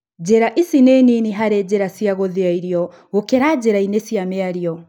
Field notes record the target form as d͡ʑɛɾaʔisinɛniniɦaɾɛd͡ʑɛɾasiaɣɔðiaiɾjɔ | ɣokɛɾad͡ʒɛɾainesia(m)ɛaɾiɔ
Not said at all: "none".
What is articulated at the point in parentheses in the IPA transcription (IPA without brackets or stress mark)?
m